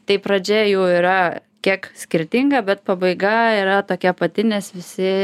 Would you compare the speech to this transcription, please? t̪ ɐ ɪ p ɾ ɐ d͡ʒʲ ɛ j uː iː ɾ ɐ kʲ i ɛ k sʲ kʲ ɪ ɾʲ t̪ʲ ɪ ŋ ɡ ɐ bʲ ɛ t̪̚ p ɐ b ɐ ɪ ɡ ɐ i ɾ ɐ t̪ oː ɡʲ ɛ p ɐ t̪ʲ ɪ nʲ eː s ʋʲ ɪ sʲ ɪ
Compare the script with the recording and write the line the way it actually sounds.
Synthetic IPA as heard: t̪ ɐ ɪ p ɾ ɐ d͡ʒʲ ɛ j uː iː ɾ ɐ kʲ i ɛ k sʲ kʲ ɪ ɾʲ t̪ʲ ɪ ŋ ɡ ɐ bʲ ɛ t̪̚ p ɐ b ɐ ɪ ɡ ɐ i ɾ ɐ t̪ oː kʲ ɛ p ɐ t̪ʲ ɪ nʲ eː s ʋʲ ɪ sʲ ɪ